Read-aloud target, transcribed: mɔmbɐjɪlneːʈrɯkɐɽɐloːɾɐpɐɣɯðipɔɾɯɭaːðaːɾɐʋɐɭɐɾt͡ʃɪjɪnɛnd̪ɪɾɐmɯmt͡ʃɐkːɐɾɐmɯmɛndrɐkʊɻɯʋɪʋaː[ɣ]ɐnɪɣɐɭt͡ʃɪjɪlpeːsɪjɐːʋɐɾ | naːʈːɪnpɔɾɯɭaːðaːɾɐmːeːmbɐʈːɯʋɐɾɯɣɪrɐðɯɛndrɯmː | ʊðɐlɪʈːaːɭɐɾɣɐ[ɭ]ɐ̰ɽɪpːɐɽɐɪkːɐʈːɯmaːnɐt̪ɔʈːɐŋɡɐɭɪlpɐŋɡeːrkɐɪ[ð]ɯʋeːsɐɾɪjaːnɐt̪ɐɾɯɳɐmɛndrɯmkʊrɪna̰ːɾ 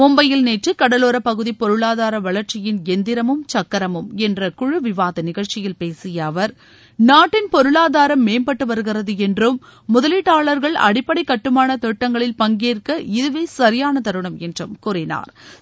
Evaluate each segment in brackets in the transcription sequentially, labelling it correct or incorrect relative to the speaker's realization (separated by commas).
incorrect, correct, correct